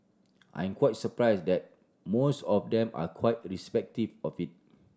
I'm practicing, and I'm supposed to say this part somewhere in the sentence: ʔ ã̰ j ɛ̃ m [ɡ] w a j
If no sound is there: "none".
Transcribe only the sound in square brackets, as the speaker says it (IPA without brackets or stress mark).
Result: k